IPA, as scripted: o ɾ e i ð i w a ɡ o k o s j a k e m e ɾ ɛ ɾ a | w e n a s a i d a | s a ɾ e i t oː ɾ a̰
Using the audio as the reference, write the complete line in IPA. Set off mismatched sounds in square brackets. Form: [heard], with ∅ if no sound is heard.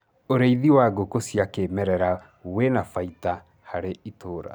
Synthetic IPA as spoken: o ɾ e i ð i w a ɡ o k o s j a k e m [ɛ] ɾ ɛ ɾ a | w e n a [f] a i [t] a | [h] a ɾ e i t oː ɾ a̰